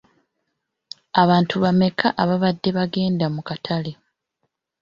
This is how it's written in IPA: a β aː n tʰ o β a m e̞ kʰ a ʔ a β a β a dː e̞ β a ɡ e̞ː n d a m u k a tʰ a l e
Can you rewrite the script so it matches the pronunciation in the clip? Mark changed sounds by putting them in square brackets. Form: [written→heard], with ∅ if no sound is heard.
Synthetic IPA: a β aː n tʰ [o→u] β a m e̞ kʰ a ʔ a β a β a dː e̞ β a ɡ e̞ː n d a m u k a tʰ a l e

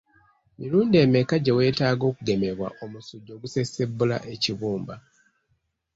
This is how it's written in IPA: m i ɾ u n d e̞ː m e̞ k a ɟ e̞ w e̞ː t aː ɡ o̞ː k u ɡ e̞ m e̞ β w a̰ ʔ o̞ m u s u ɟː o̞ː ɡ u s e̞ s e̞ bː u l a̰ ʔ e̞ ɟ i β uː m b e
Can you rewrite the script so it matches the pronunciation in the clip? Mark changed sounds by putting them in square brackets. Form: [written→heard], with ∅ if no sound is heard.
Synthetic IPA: m i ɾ [u→uː] n d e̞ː m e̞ k a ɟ e̞ w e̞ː t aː ɡ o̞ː k u ɡ e̞ m e̞ β w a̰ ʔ o̞ m u s u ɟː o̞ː ɡ u s e̞ s e̞ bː u l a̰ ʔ e̞ [ɟ→c] i β uː m b [e→a]

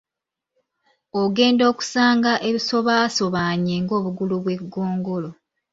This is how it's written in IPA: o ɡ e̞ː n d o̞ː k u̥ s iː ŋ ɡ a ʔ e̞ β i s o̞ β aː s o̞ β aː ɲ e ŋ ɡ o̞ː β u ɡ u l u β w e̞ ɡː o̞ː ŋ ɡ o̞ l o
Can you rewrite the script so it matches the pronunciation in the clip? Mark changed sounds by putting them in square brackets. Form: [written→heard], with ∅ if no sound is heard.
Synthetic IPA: o ɡ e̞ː n d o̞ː k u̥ s [iː→aː] ŋ ɡ a ʔ e̞ β i s o̞ β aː s o̞ β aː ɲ e ŋ ɡ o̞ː β u ɡ u l u β w e̞ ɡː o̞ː ŋ ɡ o̞ l o

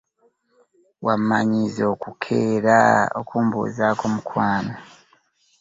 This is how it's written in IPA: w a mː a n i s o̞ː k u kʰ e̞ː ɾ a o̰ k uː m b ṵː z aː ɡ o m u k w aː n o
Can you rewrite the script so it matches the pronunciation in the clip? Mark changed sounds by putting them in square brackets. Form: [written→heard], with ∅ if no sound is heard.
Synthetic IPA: w a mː a [n→ɲ] i [s→z] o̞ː k u kʰ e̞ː ɾ a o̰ k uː m b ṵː z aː [ɡ→k] o m u k w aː n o

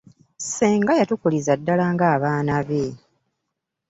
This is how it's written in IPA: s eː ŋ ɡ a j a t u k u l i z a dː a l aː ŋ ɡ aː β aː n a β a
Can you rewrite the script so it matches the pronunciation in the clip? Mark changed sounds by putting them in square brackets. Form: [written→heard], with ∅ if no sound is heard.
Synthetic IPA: s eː ŋ ɡ a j a t u k u l i z a dː a l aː ŋ ɡ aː β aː n a β [a→e]

